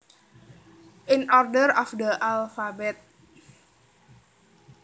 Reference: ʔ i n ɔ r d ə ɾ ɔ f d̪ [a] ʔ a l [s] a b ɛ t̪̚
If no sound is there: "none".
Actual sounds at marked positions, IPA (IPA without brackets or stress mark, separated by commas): ə, f